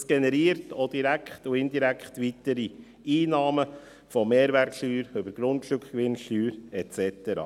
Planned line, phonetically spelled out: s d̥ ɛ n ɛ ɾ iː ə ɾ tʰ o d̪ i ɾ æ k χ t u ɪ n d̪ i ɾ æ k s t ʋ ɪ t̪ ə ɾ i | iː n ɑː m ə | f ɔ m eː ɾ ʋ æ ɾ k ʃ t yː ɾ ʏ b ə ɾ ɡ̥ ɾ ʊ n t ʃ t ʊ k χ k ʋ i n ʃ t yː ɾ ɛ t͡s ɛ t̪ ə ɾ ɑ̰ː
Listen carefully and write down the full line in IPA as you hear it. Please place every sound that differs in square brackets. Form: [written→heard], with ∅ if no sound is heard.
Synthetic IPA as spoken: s [d̥→ɡ̥] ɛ n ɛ ɾ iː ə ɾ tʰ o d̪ i ɾ æ k χ t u ɪ n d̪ i ɾ æ k [s→χ] t ʋ [ɪ→i] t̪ ə ɾ i | iː n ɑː m ə | f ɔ m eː ɾ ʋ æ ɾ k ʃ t yː ɾ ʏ b ə ɾ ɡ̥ ɾ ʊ n t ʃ t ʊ k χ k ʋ [i→ɪ] n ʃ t yː ɾ ɛ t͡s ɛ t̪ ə ɾ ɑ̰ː